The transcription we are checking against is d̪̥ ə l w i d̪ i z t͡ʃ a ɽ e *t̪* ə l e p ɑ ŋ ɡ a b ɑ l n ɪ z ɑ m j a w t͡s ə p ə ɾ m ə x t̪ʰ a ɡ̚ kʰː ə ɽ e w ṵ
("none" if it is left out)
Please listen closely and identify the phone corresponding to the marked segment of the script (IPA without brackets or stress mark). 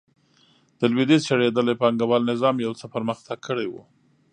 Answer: d̪